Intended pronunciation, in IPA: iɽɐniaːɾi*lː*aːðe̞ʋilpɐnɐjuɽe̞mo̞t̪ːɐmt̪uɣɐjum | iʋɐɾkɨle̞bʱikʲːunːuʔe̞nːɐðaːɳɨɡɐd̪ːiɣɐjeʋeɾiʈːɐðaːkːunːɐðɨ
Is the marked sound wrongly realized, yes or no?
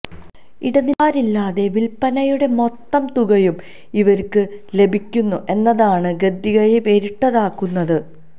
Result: no